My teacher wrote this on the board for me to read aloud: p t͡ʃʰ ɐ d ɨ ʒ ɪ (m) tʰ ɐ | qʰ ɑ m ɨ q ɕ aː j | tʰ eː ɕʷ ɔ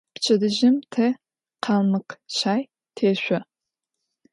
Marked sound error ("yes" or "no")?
no